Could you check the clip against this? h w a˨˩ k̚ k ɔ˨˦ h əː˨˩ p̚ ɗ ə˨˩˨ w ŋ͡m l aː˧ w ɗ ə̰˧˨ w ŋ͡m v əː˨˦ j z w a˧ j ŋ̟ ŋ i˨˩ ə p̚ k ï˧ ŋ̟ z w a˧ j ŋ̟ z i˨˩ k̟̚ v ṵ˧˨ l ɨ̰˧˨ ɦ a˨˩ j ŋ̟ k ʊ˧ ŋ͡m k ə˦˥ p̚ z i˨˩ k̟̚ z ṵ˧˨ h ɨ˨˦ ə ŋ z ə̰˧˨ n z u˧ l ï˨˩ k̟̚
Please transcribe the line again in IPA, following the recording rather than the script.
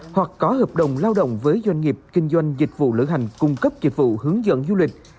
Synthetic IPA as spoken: h w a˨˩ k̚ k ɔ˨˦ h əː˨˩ p̚ ɗ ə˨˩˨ w ŋ͡m l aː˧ w ɗ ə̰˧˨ w ŋ͡m v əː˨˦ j z w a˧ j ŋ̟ ŋ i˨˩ ə p̚ k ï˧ ŋ̟ z w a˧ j ŋ̟ z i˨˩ k̟̚ v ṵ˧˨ l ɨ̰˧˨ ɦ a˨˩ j ŋ̟ k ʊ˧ ŋ͡m k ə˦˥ p̚ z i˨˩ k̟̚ v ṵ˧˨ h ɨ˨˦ ə ŋ z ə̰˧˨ n z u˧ l ï˨˩ k̟̚

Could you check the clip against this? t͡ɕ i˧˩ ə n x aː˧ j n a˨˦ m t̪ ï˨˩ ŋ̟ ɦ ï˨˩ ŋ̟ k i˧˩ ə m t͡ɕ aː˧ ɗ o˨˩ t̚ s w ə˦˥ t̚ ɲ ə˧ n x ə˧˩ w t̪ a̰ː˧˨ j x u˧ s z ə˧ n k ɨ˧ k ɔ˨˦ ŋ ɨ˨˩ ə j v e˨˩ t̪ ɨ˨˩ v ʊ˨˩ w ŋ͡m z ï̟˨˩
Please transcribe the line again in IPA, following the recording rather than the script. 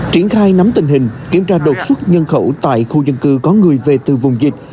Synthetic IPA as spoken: t͡ɕ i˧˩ ə n x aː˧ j n a˨˦ m t̪ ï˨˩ ŋ̟ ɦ ï˨˩ ŋ̟ k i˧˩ ə m t͡ɕ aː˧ ɗ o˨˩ t̚ s w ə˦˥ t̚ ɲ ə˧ n x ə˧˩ w t̪ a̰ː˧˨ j x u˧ z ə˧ n k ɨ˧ k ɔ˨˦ ŋ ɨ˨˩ ə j v e˨˩ t̪ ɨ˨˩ v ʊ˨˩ w ŋ͡m z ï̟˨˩

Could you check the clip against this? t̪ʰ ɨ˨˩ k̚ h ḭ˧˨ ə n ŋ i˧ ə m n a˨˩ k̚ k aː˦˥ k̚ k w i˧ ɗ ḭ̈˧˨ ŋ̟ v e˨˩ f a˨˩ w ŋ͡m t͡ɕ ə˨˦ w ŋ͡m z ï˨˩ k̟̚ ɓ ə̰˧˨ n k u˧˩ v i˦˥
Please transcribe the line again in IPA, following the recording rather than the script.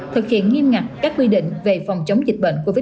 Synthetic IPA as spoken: t̪ʰ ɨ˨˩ k̚ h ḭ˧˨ ə n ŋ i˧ ə m ŋ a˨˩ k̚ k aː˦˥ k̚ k w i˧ ɗ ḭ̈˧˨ ŋ̟ v e˨˩ f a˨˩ w ŋ͡m t͡ɕ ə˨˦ w ŋ͡m z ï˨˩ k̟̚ ɓ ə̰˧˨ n k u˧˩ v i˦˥

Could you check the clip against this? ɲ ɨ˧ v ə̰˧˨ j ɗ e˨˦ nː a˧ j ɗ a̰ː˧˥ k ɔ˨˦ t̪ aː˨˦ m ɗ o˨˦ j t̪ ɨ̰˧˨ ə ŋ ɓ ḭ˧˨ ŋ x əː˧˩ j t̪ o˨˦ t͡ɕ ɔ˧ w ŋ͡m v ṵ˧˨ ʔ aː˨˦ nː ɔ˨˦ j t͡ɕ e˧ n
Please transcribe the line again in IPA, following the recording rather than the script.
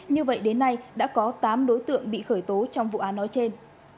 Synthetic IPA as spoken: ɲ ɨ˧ v ə̰˧˨ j ɗ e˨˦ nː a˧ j ɗ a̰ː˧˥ k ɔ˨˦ t̪ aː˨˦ m ɗ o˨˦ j t̪ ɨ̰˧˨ ə ŋ ɓ ḭ˧˨ x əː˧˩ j t̪ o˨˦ t͡ɕ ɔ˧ w ŋ͡m v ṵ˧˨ ʔ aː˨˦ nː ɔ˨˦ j t͡ɕ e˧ n

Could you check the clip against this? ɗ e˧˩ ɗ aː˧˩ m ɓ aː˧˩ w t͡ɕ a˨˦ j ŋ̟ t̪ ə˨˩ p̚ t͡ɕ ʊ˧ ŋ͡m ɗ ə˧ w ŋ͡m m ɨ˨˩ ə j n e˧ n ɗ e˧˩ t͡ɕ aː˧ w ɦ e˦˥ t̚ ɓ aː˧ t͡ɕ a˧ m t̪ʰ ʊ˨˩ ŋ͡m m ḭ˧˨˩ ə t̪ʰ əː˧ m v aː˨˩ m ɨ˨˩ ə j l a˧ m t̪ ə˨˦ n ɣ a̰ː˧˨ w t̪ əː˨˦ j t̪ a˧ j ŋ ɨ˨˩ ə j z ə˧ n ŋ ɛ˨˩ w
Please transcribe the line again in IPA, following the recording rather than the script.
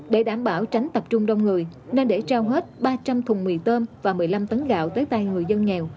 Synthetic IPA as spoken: ɗ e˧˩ ɗ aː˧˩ m ɓ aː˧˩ w t͡ɕ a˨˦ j ŋ̟ t̪ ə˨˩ p̚ t͡ɕ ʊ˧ ŋ͡m ɗ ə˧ w ŋ͡m ŋ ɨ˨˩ ə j n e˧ n ɗ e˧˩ t͡ɕ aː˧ w ɦ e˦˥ t̚ ɓ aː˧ t͡ɕ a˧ m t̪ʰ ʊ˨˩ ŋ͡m m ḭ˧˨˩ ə t̪ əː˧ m v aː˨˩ m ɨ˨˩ ə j l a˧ m t̪ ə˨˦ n ɣ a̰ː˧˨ w t̪ əː˨˦ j t̪ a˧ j ŋ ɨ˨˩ ə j z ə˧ n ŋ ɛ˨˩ w

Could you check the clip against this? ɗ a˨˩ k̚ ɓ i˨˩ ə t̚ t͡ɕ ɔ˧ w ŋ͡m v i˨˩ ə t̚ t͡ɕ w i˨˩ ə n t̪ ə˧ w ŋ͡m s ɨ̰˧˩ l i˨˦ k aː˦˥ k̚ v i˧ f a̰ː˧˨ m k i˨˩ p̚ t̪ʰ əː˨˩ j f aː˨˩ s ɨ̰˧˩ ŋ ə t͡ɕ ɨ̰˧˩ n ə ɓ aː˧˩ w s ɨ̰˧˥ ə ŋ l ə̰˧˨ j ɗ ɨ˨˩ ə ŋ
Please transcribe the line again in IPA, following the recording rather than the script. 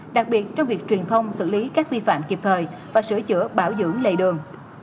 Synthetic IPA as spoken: ɗ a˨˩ k̚ ɓ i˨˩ ə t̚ t͡ɕ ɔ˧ w ŋ͡m v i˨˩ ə k̚ t͡ɕ w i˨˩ ə n t̪ʰ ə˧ w ŋ͡m s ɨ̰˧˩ l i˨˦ k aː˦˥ k̚ v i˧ f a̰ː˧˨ m k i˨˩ p̚ t̪ʰ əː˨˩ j v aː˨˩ s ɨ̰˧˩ ə t͡ɕ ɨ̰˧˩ ə ɓ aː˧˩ w z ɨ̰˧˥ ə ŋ l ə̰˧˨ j ɗ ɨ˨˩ ə ŋ

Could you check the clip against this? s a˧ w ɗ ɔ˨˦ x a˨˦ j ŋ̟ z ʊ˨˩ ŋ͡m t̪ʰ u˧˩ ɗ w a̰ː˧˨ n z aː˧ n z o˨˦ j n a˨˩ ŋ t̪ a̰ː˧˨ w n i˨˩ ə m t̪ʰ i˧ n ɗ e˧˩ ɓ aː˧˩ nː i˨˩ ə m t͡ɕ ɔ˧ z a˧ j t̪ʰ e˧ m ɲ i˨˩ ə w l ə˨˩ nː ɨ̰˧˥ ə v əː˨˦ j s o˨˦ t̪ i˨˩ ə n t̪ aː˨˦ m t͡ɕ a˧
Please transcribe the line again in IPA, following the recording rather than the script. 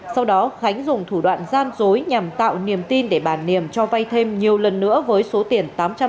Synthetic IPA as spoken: s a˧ w ɗ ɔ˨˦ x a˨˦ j ŋ̟ z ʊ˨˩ ŋ͡m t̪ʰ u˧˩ ɗ w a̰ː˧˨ n z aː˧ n z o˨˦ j ɲ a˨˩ m t̪ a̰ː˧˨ w n i˨˩ ə m t̪ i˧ n ɗ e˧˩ ɓ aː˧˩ nː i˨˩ ə m t͡ɕ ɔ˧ v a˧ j t̪ʰ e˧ m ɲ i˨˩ ə w l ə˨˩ nː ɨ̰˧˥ ə v əː˨˦ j s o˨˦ t̪ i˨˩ ə n t̪ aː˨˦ m t͡ɕ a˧

